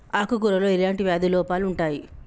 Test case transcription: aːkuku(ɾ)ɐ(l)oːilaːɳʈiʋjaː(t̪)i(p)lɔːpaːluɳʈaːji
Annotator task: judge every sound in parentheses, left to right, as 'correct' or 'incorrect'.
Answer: correct, correct, incorrect, incorrect

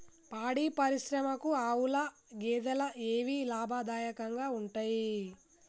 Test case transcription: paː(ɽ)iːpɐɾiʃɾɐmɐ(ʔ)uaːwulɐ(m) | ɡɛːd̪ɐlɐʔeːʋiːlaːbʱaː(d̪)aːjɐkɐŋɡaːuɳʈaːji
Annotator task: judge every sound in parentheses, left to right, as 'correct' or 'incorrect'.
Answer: correct, incorrect, incorrect, correct

